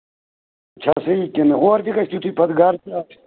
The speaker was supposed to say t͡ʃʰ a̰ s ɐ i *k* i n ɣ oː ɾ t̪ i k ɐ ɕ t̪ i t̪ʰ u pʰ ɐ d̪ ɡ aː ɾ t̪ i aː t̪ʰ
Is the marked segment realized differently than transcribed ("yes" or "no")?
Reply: no